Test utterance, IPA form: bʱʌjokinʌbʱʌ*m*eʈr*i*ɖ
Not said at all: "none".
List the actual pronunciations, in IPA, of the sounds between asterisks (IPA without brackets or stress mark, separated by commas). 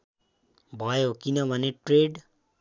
n, e